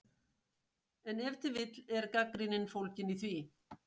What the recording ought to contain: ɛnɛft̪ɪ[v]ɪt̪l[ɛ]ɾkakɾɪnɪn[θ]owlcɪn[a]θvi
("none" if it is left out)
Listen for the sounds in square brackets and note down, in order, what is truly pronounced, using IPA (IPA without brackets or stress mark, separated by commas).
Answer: v, ɛ, f, i